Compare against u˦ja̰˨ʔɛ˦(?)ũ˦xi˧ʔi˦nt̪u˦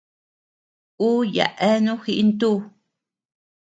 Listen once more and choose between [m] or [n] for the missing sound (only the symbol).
n